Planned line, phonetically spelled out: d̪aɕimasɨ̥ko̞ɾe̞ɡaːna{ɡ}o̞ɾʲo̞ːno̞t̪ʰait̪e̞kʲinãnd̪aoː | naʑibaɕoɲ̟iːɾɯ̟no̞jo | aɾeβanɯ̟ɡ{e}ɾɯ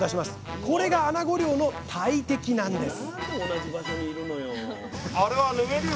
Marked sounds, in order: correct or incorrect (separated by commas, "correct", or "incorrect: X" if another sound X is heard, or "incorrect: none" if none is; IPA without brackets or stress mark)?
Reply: correct, correct